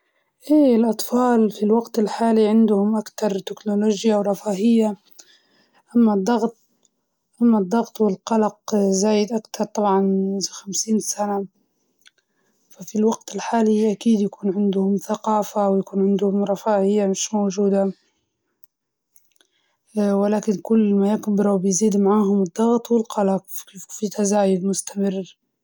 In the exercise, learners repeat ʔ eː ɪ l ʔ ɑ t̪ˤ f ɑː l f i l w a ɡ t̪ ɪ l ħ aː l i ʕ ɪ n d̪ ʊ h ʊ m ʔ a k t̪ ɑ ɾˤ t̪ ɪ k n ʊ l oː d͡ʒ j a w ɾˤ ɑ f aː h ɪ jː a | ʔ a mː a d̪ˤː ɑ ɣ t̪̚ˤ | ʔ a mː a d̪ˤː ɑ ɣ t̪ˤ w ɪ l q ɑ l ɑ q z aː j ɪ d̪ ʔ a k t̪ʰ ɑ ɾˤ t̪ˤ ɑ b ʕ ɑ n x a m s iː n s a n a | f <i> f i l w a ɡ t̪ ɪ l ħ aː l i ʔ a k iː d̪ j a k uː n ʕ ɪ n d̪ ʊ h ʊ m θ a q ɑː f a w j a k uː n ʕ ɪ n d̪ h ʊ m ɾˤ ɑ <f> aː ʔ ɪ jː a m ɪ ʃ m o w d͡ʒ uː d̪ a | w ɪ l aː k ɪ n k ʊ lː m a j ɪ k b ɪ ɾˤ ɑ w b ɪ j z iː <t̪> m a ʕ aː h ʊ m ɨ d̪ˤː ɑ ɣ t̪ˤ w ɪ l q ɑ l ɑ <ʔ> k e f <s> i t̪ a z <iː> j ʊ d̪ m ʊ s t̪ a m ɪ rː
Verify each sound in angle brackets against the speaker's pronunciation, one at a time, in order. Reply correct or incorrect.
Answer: incorrect: a, correct, incorrect: d̪, incorrect: q, incorrect: f, incorrect: aː

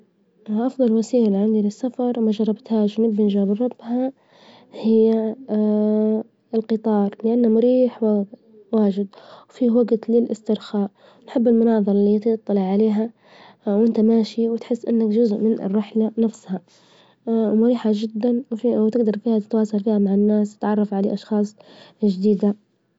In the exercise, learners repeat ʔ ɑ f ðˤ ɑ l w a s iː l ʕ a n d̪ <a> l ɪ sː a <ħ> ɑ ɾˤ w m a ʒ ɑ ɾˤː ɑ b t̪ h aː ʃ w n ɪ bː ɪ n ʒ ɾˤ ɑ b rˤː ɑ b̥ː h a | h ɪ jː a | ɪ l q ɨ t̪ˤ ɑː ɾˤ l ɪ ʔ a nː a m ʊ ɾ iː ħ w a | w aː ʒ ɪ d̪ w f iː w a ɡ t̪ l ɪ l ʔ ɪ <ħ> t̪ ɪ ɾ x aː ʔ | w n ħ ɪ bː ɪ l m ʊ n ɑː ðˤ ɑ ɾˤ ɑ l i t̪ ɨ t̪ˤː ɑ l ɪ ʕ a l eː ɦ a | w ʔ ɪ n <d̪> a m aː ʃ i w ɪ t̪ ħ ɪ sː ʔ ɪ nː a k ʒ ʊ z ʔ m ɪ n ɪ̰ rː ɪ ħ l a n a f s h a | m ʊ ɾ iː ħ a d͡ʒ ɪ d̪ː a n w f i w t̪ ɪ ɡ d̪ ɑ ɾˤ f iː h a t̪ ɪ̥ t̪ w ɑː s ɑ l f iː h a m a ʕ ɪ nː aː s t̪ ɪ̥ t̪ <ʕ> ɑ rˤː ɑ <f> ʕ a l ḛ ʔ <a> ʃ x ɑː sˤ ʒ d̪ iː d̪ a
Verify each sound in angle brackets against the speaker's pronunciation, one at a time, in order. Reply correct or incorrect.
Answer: incorrect: i, incorrect: f, incorrect: s, incorrect: t̪, correct, correct, incorrect: ɑ

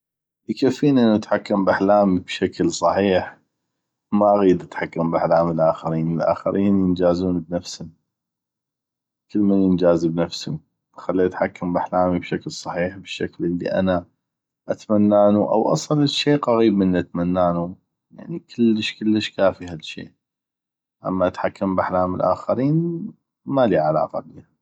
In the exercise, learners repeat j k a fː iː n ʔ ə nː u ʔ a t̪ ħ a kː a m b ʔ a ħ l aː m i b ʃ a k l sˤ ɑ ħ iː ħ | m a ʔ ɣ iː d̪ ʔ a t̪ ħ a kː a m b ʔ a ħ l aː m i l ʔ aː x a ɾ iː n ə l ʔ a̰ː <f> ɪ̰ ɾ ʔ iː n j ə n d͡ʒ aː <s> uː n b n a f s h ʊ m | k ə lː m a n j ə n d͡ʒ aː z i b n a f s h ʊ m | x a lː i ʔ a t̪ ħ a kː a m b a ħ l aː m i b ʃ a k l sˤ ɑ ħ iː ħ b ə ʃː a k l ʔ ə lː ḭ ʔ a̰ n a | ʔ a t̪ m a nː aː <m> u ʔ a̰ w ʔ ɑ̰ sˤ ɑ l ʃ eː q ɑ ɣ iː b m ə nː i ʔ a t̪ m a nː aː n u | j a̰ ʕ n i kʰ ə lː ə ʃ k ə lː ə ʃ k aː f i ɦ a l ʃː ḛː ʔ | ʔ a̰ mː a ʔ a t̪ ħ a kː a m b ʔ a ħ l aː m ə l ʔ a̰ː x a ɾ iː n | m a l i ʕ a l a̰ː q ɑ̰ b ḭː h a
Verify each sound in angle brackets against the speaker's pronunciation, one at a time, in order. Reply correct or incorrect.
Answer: incorrect: x, incorrect: z, incorrect: n

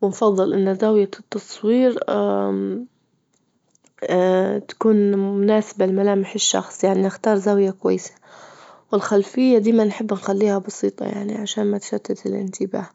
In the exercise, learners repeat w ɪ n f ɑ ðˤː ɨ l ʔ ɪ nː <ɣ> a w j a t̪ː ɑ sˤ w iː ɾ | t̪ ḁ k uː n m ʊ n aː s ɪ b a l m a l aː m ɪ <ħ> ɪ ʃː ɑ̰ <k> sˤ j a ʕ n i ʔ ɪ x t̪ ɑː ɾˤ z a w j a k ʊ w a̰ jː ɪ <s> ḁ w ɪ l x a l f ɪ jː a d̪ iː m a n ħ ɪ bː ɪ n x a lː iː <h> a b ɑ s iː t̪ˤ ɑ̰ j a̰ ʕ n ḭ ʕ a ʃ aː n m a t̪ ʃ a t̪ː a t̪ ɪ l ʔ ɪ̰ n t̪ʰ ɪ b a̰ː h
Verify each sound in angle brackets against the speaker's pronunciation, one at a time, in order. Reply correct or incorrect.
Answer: incorrect: z, correct, incorrect: x, correct, correct

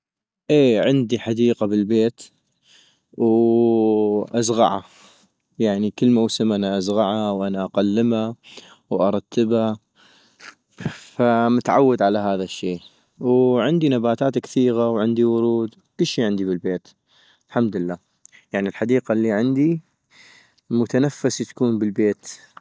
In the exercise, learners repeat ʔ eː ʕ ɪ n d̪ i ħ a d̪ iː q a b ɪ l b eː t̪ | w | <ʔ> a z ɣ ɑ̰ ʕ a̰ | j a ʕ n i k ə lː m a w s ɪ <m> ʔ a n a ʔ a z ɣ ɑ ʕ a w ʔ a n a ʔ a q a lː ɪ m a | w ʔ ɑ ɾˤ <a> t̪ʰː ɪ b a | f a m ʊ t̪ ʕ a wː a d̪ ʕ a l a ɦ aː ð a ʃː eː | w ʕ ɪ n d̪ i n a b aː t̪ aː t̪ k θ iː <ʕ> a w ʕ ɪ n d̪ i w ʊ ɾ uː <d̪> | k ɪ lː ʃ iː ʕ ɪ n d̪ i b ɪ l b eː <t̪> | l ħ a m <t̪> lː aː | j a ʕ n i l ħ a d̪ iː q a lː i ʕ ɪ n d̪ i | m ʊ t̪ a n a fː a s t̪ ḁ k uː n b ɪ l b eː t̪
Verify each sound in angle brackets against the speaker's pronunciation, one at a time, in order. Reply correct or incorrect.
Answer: correct, correct, incorrect: ɑ, incorrect: ɣ, correct, correct, incorrect: d̪

